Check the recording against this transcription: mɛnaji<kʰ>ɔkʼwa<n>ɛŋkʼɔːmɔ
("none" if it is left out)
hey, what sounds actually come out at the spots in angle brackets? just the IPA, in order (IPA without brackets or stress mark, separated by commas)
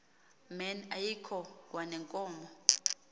kʰ, n